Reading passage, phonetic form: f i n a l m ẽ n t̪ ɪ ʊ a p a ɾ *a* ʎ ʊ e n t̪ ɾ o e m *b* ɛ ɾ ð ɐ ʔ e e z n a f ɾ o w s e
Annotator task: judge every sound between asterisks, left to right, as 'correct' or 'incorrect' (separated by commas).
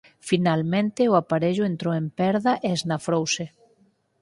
incorrect, incorrect